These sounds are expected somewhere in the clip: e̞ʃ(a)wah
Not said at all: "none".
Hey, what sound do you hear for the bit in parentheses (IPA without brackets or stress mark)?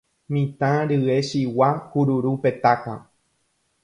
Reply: i